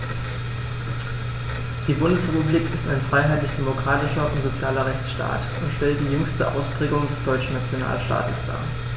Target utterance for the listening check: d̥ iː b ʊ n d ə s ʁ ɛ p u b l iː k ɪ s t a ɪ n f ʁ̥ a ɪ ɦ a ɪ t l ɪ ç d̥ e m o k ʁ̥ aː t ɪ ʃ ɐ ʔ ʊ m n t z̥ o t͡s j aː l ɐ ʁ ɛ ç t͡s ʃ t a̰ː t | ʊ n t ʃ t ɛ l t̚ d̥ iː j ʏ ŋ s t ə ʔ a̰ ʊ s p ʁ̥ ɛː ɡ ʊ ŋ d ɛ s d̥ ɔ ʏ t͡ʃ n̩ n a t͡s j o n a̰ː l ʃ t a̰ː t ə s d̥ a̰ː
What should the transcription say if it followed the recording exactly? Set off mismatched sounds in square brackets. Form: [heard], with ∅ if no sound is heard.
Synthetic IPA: d̥ iː b ʊ n d ə s ʁ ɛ p u b l iː k ɪ s t a ɪ n f ʁ̥ a ɪ ɦ a ɪ t l ɪ ç d̥ e m o k ʁ̥ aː t ɪ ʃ ɐ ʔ ʊ [∅] n t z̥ o t͡s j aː l ɐ ʁ ɛ ç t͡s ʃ t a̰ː t | ʊ n t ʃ t ɛ l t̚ d̥ iː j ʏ ŋ s t ə ʔ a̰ ʊ s p ʁ̥ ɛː ɡ ʊ ŋ d ɛ s d̥ ɔ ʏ t͡ʃ n̩ n a t͡s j o n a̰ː l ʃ t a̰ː t ə s d̥ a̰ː